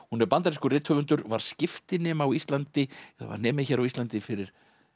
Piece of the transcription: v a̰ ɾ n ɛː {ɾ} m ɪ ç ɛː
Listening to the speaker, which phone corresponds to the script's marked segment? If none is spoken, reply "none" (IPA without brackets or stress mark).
none